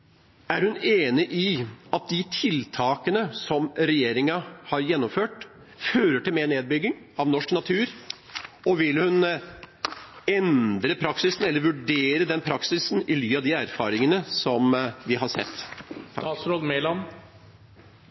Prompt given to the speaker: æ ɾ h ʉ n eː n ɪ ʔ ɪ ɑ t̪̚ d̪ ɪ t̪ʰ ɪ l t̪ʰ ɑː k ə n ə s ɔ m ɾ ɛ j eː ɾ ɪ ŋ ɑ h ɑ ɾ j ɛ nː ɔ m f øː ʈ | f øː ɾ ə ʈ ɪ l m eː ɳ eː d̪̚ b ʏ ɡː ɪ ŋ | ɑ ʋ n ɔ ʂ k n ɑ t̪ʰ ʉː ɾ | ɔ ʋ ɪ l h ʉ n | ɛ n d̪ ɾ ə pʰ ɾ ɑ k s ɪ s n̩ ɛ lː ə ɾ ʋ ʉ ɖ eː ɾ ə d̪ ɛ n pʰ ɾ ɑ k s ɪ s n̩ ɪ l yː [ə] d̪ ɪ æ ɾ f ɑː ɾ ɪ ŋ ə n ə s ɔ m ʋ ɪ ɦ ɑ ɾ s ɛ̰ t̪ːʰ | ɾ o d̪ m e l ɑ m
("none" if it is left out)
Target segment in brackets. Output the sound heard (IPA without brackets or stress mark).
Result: ɑ